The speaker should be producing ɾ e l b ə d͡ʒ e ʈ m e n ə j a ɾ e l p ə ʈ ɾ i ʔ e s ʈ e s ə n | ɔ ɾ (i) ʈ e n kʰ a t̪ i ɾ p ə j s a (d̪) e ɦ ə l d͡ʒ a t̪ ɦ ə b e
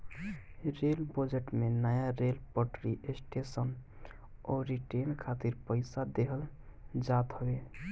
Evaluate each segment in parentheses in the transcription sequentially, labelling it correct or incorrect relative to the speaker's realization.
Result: correct, correct

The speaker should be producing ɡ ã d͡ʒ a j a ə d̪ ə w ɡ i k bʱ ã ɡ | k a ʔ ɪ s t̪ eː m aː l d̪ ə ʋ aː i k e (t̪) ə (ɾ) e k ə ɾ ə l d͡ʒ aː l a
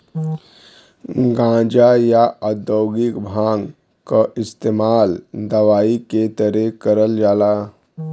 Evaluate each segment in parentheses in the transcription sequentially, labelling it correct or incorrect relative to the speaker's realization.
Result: correct, correct

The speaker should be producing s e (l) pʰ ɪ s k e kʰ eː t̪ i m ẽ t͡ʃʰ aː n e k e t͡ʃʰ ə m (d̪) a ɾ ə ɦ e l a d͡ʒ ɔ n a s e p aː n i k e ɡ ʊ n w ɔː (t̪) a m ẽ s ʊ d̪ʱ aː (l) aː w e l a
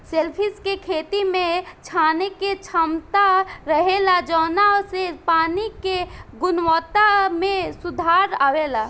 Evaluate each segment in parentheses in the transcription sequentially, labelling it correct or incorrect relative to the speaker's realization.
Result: correct, incorrect: t̪, correct, incorrect: ɾ

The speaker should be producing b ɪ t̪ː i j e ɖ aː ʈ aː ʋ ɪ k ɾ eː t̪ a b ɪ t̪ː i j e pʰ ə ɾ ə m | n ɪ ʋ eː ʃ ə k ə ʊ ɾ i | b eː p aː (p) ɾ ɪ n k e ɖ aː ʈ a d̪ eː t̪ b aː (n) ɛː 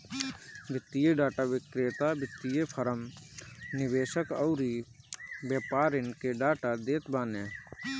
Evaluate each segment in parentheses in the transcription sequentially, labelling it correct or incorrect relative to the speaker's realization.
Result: incorrect: none, correct

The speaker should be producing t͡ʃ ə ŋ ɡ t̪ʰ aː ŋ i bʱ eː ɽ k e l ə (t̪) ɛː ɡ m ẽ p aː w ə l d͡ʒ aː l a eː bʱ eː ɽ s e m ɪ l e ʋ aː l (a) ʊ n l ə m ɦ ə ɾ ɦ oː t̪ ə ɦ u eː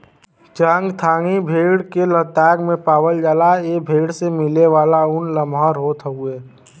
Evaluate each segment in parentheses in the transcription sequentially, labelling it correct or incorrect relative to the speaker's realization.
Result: correct, correct

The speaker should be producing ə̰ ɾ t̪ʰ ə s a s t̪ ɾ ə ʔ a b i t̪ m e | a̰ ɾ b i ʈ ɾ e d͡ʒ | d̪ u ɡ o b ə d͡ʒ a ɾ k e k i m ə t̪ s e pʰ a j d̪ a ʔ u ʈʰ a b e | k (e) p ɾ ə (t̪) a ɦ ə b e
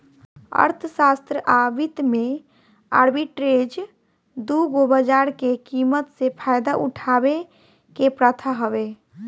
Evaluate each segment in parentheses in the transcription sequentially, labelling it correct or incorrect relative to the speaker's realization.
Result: correct, incorrect: t̪ʰ

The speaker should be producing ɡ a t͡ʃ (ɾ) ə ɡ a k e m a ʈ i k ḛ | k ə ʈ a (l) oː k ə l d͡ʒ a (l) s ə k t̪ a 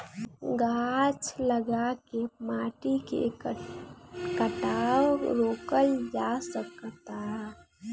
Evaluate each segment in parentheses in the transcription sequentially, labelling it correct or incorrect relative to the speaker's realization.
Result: incorrect: l, incorrect: ɾ, incorrect: none

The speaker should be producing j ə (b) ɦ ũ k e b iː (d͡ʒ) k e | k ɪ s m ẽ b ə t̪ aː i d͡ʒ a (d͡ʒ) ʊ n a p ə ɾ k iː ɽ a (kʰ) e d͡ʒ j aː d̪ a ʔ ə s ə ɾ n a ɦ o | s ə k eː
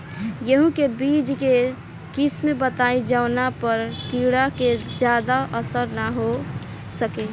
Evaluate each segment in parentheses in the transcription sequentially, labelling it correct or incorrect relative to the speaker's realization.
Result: incorrect: none, correct, incorrect: none, incorrect: k

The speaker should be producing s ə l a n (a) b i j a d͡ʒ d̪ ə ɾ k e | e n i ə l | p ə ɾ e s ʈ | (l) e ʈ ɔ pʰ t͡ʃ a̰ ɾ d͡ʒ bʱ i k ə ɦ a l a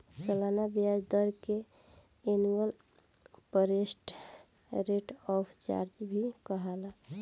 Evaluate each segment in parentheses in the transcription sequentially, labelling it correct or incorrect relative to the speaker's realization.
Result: correct, incorrect: ɾ

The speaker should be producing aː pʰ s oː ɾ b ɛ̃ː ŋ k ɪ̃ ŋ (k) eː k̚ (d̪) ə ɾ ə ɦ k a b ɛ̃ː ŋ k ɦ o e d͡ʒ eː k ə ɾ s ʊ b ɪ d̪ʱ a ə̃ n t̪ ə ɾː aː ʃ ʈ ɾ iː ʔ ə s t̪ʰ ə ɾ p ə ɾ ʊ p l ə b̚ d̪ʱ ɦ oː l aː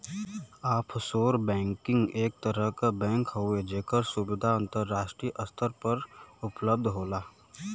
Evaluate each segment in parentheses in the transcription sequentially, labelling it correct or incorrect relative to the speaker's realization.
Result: incorrect: ɡ, incorrect: t̪

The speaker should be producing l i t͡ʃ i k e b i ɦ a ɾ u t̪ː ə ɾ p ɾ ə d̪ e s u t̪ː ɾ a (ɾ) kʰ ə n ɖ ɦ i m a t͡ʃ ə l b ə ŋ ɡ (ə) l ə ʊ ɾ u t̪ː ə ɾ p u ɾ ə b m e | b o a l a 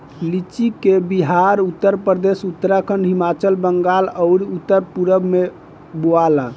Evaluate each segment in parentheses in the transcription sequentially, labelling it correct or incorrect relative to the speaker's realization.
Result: incorrect: none, incorrect: a

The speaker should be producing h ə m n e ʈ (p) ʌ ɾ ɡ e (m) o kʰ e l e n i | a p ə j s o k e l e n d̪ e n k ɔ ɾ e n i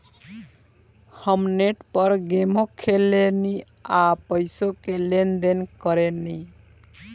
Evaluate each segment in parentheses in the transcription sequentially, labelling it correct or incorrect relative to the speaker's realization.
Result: correct, correct

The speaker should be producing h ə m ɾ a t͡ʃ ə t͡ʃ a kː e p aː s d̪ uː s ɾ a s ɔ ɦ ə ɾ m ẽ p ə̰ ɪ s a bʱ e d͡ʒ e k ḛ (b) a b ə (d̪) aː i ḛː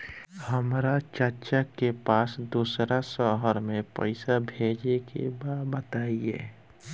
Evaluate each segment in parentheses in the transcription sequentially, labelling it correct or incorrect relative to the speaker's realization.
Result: correct, incorrect: t̪

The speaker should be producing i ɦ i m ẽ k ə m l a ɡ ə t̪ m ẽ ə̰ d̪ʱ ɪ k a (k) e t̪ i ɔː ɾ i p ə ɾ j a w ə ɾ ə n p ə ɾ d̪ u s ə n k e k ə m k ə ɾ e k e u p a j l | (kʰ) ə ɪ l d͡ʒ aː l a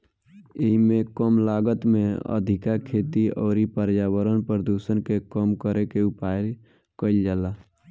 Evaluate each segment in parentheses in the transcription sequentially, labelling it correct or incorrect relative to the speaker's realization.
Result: incorrect: kʰ, incorrect: k

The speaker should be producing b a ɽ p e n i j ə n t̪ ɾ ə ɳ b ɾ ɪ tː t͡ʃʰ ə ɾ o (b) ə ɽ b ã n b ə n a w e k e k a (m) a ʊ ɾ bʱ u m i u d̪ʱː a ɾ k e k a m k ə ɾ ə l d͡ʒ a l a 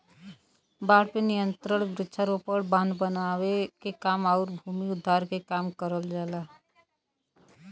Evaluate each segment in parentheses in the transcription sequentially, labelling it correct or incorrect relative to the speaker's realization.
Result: incorrect: p, correct

